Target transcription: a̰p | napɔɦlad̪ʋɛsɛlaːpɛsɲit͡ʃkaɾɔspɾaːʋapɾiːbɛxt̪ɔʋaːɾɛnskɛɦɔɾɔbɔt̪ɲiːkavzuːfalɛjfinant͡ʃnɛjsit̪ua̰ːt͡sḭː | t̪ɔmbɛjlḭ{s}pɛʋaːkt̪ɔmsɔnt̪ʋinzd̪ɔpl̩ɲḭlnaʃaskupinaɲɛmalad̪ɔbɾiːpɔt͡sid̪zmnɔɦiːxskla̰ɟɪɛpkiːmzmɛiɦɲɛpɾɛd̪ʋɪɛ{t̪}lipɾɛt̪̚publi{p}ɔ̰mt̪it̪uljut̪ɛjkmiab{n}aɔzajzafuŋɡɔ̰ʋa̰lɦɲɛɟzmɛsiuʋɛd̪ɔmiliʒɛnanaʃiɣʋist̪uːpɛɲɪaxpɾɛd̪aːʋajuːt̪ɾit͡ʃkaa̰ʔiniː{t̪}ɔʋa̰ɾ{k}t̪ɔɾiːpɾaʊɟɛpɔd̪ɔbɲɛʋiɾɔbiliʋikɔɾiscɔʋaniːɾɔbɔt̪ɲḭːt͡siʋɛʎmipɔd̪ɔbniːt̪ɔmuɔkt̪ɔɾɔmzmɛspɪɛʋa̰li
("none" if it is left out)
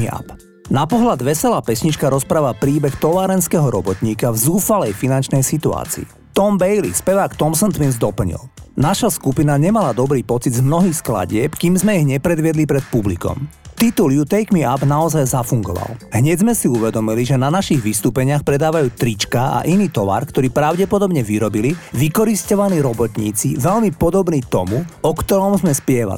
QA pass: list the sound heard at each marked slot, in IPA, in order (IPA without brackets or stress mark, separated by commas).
s, d̪, k, n, t̪, k